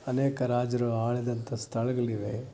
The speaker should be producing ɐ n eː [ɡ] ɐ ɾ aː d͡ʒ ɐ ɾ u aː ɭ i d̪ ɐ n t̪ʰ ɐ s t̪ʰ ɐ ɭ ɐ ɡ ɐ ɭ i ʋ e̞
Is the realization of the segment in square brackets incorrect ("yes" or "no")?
yes